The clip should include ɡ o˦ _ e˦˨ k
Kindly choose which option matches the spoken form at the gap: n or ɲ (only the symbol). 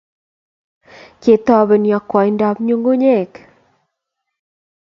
ɲ